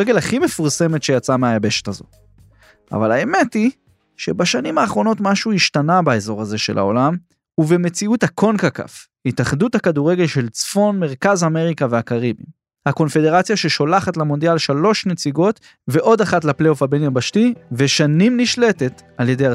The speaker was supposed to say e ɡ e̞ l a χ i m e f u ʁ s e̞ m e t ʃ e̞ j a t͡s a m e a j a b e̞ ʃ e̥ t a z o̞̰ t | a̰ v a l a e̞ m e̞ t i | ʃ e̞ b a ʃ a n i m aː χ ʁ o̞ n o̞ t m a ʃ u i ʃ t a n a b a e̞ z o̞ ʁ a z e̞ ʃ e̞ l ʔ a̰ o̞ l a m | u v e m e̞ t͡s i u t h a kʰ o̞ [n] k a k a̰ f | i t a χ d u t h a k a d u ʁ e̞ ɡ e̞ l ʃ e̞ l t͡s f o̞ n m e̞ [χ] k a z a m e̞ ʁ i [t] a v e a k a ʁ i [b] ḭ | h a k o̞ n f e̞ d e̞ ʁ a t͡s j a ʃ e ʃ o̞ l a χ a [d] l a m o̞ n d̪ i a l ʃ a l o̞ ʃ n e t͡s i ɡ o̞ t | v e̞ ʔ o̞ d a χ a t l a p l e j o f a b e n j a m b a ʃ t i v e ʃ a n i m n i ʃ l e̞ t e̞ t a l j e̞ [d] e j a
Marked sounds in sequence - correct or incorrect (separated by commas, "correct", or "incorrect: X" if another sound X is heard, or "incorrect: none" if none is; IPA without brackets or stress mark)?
correct, incorrect: ʁ, incorrect: k, correct, incorrect: t, correct